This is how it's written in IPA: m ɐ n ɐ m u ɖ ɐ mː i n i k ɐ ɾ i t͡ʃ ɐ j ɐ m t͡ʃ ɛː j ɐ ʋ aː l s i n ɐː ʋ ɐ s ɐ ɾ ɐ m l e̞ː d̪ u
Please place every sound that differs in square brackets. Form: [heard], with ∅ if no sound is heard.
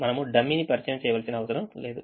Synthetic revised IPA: m ɐ n ɐ m u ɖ ɐ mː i n i [p] ɐ ɾ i t͡ʃ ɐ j ɐ m t͡ʃ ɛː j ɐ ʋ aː l s i n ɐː ʋ ɐ s ɐ ɾ ɐ m l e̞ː d̪ u